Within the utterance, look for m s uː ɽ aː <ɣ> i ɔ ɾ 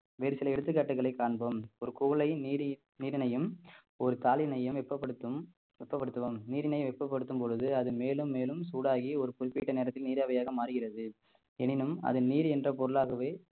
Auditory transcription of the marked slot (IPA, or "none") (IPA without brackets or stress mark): ɣ